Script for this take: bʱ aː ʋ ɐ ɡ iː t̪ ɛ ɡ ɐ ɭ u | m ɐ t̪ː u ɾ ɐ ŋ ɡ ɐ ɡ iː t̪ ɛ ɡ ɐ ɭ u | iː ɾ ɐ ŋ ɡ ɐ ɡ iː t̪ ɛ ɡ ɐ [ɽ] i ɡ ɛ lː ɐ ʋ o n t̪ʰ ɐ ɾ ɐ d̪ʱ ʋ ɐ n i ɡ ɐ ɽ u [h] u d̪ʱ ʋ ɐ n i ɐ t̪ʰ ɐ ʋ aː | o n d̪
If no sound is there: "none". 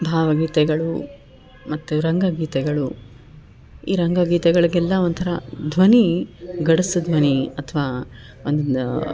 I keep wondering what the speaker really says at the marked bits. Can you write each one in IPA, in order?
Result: ɭ, s

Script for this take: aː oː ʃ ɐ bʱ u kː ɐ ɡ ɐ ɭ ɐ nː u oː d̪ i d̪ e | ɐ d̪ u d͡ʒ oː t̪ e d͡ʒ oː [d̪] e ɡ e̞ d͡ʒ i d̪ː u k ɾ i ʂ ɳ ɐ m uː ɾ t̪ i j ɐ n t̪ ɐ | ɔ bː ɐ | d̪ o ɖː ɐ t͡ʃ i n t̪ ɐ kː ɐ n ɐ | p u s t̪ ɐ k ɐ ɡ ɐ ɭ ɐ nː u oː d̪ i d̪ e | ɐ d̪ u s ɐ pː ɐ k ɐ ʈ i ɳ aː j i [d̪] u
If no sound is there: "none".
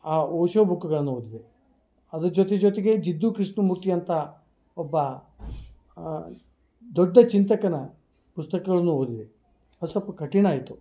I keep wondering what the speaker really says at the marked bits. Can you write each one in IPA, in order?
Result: t̪, t̪

